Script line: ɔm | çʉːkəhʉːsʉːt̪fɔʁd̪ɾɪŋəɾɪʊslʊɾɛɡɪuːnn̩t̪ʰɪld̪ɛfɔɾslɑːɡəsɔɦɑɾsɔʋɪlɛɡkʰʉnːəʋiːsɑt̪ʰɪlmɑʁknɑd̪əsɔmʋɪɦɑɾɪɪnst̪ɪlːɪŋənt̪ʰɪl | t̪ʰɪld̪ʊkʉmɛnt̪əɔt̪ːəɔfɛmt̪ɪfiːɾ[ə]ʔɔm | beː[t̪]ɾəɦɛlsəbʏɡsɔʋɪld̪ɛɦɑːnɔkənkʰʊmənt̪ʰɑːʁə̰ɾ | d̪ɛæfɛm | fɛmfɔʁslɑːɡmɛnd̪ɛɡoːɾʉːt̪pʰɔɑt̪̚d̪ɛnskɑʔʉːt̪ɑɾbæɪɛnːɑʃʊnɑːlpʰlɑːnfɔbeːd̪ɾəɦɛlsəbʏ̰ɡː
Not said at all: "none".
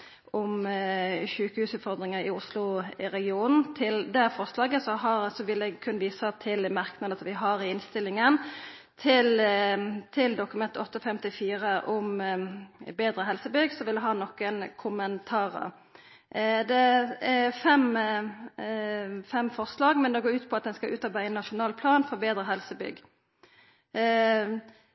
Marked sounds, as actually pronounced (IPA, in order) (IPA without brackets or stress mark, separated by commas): ə, d̪